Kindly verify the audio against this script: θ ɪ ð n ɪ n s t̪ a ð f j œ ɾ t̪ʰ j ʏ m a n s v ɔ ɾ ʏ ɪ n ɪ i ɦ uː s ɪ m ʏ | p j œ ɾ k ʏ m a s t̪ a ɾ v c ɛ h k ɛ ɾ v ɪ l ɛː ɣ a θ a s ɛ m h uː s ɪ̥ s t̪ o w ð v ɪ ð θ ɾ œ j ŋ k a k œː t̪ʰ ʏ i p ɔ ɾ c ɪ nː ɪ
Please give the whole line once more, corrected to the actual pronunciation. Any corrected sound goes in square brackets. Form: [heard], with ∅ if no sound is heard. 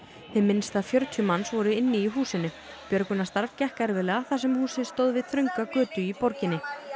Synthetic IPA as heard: θ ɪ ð [m] ɪ n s t̪ a ð f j œ ɾ t̪ʰ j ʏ m a n s v ɔ ɾ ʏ ɪ [nː] ɪ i ɦ uː s ɪ [n] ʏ | p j œ ɾ k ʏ [n] a s t̪ a ɾ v c ɛ h k ɛ ɾ v ɪ l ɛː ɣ a θ a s ɛ m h uː s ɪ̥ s t̪ o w ð v ɪ ð θ ɾ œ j ŋ k a k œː [t̪] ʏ i p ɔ ɾ c ɪ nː ɪ